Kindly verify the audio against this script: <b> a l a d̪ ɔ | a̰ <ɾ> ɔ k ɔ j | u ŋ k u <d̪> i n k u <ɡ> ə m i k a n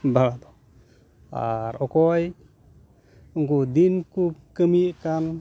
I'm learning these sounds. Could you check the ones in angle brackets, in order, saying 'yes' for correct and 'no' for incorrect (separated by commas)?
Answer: yes, yes, yes, no